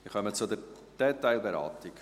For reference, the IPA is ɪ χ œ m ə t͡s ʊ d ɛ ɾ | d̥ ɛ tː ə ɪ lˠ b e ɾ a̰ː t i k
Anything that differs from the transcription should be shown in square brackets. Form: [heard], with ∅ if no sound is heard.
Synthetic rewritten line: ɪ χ œ m ə t͡s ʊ d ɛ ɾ | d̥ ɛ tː [a] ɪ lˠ b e ɾ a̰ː t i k